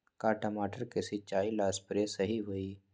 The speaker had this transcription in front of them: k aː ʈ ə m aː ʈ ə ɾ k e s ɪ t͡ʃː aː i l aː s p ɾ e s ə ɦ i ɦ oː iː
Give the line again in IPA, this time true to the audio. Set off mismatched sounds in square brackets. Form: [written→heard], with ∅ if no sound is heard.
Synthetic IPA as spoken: k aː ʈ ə m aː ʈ ə ɾ k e s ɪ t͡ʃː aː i l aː s p ɾ e s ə ɦ i ɦ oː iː